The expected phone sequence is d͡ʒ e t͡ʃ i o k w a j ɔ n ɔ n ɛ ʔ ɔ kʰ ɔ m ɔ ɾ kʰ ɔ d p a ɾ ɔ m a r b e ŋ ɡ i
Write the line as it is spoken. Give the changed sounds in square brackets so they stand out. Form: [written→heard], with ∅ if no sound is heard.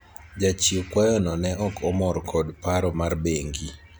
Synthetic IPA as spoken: d͡ʒ [e→a] t͡ʃ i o k w a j ɔ n ɔ n ɛ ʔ ɔ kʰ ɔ m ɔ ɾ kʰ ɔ d p a ɾ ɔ m a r b e ŋ ɡ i